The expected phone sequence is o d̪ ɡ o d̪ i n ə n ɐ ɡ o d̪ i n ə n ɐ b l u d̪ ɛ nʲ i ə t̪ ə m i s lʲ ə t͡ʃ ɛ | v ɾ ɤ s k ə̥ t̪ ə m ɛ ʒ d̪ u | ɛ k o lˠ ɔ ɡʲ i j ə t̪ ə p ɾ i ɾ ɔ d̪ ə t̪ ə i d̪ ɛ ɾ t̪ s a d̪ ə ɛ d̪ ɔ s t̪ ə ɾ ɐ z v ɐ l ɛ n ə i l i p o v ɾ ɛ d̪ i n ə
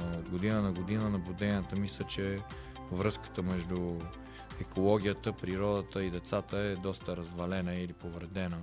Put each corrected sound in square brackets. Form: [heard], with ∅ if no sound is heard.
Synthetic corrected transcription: o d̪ ɡ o d̪ i n ə n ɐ ɡ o d̪ i n ə n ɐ b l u d̪ ɛ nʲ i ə t̪ ə m i s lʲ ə t͡ʃ ɛ | v ɾ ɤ s k ə̥ t̪ ə m ɛ ʒ d̪ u | ɛ k o lˠ ɔ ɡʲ i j ə t̪ ə p ɾ i ɾ ɔ d̪ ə t̪ ə i d̪ ɛ [∅] t̪ s a [t̪] ə ɛ d̪ ɔ s t̪ ə ɾ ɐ z v ɐ l ɛ n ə i l i p o v ɾ ɛ d̪ [ɛ] n ə